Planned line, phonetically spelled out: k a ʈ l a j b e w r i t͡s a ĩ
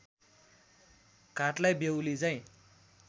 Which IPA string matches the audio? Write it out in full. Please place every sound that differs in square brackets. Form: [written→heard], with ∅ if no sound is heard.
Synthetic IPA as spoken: k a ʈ l a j b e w [r→l] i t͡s a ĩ